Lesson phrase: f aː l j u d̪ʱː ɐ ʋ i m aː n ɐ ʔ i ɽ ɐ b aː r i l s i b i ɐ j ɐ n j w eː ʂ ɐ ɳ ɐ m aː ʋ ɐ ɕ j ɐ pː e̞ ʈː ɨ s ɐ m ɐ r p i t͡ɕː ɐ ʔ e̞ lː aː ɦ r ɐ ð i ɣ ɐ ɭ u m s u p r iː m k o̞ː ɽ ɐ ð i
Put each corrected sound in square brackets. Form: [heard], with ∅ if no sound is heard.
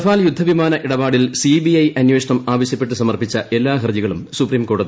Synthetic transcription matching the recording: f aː l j u d̪ʱː ɐ ʋ i m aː n ɐ ʔ i ɽ ɐ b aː [ɽ] i l s i b i ɐ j ɐ n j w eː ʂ ɐ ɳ ɐ m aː ʋ ɐ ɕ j ɐ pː e̞ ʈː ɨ s ɐ m ɐ r p i t͡ɕː ɐ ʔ e̞ lː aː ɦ r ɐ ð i ɣ ɐ ɭ u m s u p r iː m k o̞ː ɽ ɐ ð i